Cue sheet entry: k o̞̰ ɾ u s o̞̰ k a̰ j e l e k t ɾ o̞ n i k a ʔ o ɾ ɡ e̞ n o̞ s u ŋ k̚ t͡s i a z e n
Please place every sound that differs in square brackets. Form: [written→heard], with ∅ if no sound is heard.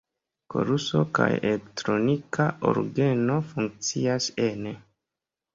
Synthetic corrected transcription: k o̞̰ ɾ u s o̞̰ k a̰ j e l e k t ɾ o̞ n i k a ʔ o ɾ ɡ e̞ n o̞ [s→f] u ŋ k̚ t͡s i a [z→s] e n